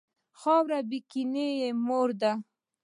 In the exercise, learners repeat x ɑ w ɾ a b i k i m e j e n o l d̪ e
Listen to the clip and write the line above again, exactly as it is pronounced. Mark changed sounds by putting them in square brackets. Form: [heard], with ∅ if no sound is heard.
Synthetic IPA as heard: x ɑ w ɾ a b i k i [n] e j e [m] o [ɾ] d̪ [a]